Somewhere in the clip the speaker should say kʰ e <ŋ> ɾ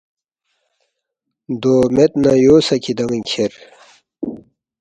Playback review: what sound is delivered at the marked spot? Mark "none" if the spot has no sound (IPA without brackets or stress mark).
none